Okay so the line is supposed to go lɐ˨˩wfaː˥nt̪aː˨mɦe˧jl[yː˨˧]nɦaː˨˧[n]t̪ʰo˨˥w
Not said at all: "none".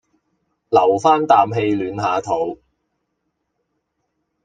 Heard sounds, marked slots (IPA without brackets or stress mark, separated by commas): yː˨˧, none